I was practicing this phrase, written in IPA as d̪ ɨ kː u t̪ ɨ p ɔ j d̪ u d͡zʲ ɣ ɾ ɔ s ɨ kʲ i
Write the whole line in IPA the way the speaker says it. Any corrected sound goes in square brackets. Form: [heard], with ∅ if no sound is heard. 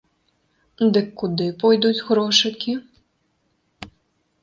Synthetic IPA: d̪ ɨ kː u [d̪] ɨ p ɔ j d̪ u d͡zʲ ɣ ɾ ɔ [ʂ] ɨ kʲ i